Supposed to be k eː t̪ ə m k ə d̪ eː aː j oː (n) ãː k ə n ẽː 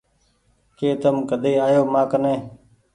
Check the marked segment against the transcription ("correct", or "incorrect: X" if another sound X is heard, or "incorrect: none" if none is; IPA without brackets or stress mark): incorrect: m